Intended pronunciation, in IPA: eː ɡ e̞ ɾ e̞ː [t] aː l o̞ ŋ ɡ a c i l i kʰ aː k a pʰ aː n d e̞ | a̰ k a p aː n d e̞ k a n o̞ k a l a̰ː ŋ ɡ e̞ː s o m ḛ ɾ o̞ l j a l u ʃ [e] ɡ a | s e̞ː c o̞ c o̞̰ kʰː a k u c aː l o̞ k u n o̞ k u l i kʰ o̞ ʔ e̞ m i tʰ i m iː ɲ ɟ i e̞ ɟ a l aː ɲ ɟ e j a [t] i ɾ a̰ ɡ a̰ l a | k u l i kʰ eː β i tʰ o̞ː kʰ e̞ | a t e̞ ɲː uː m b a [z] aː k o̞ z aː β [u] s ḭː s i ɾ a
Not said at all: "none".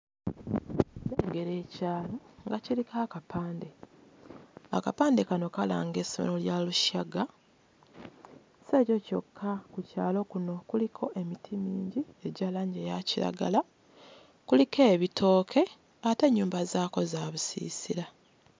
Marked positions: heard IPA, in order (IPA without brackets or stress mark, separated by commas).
c, a, c, z, u